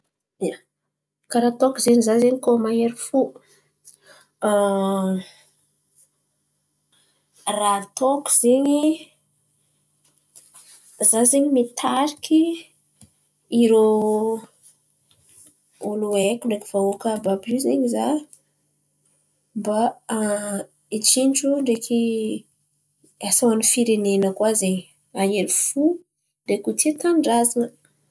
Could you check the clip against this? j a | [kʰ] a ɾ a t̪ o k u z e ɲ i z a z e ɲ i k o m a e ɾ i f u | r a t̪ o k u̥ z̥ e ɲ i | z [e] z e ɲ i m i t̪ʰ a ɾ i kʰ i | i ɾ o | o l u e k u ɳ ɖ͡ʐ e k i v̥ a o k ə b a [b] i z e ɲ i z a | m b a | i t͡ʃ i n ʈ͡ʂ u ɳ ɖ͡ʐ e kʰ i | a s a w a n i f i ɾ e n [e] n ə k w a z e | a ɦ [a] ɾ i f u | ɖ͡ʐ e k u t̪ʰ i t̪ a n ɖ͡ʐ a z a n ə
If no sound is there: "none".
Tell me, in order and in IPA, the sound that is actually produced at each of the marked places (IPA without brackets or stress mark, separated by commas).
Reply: k, a, b, e, e